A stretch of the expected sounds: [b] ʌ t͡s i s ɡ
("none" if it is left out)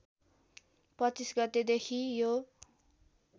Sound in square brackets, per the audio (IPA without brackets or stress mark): p